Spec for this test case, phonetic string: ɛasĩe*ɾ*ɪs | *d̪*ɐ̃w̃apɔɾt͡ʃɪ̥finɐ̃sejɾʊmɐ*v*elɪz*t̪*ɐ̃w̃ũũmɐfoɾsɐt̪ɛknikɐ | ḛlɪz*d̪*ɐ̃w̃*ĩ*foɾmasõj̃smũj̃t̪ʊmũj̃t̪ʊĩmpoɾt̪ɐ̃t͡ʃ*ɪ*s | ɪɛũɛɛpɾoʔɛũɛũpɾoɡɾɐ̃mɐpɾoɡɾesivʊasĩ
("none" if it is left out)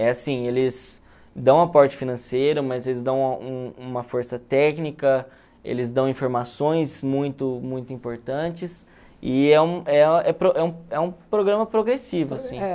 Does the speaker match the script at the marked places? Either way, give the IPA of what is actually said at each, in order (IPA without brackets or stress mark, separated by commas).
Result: l, d̪, z, d̪, d̪, ĩ, ɪ